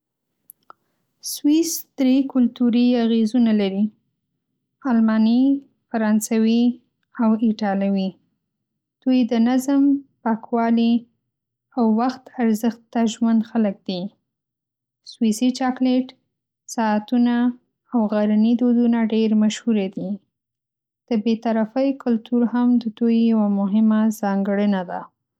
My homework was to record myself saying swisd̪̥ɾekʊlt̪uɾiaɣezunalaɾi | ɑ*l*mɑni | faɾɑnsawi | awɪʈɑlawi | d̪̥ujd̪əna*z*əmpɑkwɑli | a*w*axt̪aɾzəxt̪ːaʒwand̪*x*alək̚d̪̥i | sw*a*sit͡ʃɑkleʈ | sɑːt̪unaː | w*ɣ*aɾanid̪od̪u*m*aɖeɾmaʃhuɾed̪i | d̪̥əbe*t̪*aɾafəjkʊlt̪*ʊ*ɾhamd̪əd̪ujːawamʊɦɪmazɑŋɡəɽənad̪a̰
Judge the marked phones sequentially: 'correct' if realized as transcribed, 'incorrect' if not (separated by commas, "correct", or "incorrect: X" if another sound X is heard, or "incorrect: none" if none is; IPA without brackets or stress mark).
correct, correct, incorrect: wː, correct, incorrect: i, correct, incorrect: n, correct, incorrect: u